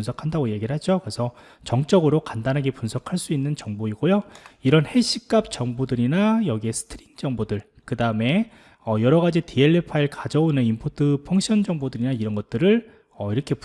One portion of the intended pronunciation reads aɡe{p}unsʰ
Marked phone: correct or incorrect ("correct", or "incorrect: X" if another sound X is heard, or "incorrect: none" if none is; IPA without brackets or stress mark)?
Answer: correct